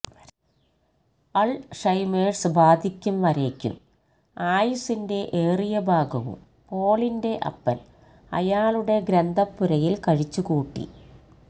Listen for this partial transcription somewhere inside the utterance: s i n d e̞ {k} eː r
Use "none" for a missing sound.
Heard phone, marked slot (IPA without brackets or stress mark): ʔ